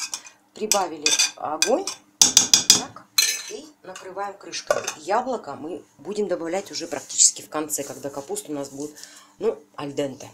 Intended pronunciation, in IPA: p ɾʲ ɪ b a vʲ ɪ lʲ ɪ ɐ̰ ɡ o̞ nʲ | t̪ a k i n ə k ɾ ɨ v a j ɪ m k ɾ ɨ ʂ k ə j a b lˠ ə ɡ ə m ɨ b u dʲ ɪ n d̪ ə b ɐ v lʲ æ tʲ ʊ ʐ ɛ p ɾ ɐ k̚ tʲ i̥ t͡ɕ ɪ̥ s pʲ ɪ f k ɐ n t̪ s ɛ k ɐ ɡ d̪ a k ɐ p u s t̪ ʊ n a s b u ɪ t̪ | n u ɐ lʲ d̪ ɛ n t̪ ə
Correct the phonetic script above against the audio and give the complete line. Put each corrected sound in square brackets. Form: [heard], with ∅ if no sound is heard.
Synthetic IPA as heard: p ɾʲ ɪ b a vʲ ɪ lʲ ɪ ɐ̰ ɡ o̞ nʲ | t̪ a k i n ə k ɾ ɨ v a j ɪ m k ɾ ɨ ʂ k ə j a b lˠ ə [k] ə m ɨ b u dʲ ɪ [m] d̪ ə b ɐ v lʲ æ tʲ ʊ ʐ ɛ p ɾ ɐ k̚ tʲ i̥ t͡ɕ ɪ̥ s [kʲ] ɪ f k ɐ n t̪ s ɛ k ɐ ɡ d̪ a k ɐ p u s t̪ ʊ n a s b u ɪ t̪ | n u ɐ lʲ d̪ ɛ n t̪ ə